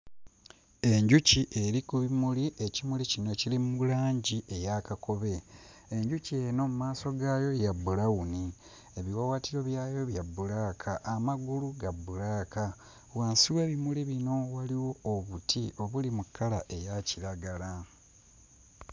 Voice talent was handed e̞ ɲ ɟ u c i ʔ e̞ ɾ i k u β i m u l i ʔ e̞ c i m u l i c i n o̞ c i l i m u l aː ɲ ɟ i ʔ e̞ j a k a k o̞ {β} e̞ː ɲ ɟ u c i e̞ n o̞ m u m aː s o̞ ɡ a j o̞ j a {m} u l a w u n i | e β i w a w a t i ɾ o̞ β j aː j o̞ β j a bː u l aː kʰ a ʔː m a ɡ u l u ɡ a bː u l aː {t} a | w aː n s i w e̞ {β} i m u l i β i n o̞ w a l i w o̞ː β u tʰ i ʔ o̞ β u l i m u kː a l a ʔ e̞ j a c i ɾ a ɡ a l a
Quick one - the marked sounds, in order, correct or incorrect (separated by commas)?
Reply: correct, incorrect, incorrect, correct